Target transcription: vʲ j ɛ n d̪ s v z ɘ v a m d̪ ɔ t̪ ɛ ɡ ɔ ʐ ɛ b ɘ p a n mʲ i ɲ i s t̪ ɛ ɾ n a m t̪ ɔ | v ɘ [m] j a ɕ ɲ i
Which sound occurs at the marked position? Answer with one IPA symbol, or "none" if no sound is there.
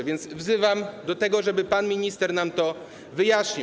none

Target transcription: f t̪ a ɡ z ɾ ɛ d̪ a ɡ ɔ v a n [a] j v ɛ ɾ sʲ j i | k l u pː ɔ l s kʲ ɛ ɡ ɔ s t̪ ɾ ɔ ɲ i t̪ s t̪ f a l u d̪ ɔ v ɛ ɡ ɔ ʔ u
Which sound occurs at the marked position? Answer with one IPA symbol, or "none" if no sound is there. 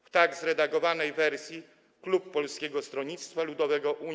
ɛ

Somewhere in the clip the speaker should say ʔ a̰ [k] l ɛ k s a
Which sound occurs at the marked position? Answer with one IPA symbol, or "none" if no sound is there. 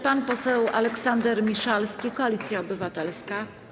none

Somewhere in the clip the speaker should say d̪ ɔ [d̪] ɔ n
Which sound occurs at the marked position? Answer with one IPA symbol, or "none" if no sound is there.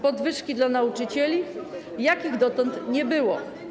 t̪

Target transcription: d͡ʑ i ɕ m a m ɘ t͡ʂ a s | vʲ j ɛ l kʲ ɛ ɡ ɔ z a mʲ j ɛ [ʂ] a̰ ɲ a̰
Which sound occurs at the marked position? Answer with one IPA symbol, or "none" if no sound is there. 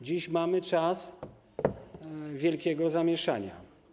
ʂ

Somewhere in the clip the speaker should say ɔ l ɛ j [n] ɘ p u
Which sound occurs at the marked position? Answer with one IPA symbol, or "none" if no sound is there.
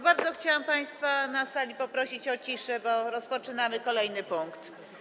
n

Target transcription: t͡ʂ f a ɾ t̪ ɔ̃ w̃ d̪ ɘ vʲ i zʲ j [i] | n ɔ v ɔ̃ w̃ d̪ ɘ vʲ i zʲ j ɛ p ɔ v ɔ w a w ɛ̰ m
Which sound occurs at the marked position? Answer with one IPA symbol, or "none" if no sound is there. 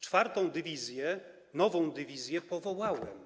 ɛ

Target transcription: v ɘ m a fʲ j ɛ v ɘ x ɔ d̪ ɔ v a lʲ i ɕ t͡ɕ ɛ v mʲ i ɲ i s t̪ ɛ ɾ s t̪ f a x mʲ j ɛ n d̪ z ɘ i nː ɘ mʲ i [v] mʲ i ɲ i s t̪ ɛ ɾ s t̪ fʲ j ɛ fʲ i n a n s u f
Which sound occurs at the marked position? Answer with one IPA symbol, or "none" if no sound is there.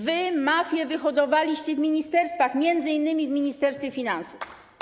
v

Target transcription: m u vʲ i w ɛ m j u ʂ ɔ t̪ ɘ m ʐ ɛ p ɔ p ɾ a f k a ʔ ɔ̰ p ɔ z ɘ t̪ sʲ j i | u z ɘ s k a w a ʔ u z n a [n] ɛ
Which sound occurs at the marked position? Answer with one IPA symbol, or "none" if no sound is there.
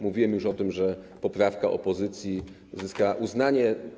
ɲ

